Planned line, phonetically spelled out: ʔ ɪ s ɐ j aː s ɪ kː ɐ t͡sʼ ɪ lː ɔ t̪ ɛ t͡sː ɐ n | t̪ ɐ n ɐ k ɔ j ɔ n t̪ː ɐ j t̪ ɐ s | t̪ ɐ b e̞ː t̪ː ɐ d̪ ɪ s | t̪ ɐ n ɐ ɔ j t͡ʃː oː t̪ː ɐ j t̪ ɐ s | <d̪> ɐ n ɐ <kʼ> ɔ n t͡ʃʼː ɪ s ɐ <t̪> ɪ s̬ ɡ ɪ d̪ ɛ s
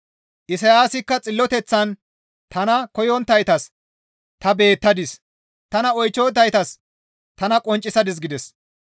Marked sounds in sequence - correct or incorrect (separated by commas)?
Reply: incorrect, correct, incorrect